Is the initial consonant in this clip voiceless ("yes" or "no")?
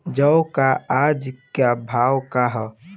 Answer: no